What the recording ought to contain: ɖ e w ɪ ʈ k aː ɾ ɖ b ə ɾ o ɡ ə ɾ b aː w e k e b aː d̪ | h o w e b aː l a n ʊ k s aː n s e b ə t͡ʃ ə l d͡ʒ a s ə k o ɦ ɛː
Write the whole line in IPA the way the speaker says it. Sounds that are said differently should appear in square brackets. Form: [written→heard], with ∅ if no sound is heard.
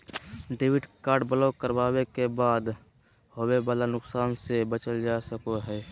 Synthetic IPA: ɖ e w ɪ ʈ k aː ɾ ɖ b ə [ɾ→l] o [ɡ→k] ə ɾ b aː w e k e b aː d̪ | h o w e b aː l a n ʊ k s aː n s e b ə t͡ʃ ə l d͡ʒ a s ə k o ɦ ɛː